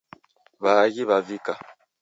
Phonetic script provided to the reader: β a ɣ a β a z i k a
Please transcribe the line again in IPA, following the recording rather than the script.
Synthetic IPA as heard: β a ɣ i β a v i k a